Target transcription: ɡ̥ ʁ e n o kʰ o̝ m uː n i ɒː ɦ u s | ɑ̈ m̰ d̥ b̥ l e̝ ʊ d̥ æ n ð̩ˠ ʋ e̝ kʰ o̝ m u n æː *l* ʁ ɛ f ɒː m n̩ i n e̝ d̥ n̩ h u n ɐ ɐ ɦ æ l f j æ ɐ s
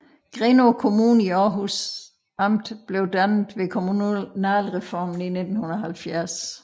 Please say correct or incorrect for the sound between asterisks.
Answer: correct